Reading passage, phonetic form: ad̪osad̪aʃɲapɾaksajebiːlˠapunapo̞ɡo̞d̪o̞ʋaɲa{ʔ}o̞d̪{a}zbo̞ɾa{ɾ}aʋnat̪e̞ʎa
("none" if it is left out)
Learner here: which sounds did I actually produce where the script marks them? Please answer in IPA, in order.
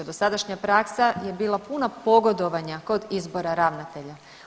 k, i, ɾ

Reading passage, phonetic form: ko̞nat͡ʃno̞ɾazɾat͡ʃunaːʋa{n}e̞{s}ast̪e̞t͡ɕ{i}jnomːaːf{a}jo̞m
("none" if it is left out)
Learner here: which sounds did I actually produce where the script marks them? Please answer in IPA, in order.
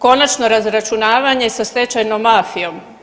ɲ, s, a, i

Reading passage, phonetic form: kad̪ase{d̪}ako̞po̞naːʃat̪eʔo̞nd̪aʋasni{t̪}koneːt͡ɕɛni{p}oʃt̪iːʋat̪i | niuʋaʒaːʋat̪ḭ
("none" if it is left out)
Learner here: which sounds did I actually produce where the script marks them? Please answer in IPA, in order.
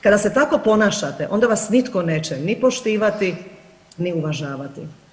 t̪, t̪, p

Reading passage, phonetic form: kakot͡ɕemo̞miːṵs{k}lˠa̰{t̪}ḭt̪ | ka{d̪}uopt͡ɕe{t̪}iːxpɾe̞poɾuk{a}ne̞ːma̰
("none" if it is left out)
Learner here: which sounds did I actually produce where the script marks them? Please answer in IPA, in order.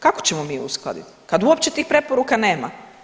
k, d̪, d̪, t̪, a

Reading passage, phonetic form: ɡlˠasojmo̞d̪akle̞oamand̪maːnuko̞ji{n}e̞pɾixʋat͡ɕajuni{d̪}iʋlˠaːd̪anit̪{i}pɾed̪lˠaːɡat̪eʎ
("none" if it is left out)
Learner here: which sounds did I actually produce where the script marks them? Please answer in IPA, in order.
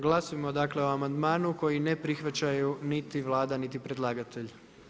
n, t̪, i

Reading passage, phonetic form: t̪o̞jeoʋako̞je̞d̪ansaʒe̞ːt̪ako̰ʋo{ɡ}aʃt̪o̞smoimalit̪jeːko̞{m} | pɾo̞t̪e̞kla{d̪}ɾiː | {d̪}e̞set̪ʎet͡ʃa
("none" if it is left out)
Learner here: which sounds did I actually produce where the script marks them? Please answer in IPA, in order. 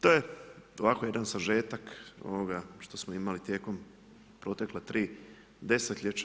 ɡ, m, t̪, d̪

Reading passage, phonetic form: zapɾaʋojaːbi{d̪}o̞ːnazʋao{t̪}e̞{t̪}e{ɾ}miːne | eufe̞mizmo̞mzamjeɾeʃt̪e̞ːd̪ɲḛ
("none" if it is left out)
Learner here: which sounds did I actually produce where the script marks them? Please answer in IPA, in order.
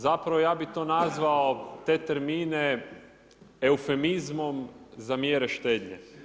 t̪, t̪, t̪, ɾ

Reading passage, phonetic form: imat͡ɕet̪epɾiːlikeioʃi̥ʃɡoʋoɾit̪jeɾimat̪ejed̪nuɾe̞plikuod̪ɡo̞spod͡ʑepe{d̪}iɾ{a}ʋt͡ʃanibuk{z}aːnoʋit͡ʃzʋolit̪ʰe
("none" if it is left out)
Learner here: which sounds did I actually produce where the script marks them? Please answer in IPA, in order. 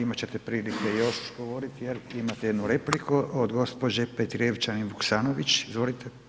t̪, e, s

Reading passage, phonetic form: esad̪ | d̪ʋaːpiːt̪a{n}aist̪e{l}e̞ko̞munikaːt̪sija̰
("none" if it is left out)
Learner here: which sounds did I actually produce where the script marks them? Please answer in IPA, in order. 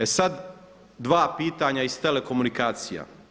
ɲ, l

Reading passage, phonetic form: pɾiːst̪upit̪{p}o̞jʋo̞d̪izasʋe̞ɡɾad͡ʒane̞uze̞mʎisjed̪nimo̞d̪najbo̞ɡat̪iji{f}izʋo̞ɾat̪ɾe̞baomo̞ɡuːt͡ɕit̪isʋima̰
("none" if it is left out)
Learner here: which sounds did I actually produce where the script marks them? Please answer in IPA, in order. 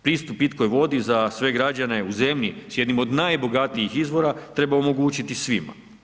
k, x

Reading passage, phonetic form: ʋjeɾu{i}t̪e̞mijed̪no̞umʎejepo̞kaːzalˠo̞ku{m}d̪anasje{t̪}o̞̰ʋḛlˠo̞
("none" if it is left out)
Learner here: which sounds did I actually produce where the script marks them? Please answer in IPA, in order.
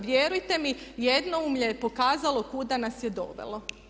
j, none, d̪

